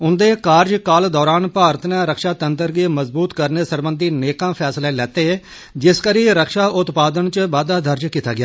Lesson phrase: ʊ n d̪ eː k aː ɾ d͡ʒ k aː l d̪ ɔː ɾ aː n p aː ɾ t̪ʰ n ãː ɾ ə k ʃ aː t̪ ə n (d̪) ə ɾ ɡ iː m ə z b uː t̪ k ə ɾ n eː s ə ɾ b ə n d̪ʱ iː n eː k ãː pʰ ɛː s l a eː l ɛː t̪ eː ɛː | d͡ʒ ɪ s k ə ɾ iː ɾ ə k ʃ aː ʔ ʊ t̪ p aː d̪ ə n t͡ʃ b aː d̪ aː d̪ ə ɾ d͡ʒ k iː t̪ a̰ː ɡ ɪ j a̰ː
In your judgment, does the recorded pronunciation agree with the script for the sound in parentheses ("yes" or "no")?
no